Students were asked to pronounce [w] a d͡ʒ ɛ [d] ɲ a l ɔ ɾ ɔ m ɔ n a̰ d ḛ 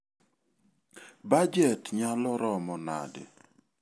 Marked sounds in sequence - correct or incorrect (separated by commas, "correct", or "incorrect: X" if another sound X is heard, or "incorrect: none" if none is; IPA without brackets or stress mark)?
incorrect: b, incorrect: t